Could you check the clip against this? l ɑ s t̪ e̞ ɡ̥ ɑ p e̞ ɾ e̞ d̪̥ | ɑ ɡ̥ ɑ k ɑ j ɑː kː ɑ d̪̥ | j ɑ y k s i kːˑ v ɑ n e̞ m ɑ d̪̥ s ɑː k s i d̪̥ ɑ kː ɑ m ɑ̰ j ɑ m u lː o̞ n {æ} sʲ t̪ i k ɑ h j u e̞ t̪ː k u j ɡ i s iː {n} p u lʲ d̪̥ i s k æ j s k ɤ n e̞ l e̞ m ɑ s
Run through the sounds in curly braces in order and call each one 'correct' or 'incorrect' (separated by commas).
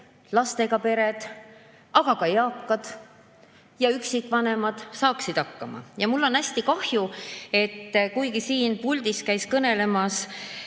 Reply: correct, correct